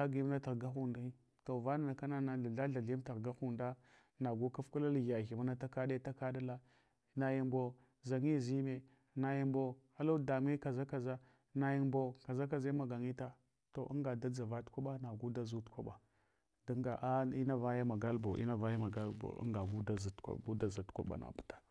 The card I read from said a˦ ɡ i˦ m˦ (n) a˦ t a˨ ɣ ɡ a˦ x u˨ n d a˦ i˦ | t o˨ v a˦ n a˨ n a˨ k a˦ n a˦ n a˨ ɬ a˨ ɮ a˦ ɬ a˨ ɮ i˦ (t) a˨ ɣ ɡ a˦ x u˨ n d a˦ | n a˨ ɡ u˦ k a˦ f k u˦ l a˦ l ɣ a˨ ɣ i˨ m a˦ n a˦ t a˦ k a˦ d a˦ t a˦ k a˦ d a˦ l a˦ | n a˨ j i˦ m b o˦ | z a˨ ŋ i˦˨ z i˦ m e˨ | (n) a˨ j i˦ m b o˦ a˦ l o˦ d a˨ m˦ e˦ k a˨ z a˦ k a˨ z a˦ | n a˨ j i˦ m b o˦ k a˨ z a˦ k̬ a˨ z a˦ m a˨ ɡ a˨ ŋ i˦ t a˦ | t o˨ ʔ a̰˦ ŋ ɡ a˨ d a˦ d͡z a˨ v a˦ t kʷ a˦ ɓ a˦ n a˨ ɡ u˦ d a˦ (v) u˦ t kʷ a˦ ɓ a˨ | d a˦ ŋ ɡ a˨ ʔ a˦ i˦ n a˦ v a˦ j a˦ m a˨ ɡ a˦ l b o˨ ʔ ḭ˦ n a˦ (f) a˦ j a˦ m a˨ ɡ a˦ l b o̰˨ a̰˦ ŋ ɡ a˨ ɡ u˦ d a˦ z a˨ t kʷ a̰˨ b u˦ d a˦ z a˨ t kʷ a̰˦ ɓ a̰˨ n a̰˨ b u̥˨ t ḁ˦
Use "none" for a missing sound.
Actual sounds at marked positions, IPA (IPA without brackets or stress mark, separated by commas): n, t, n, z, v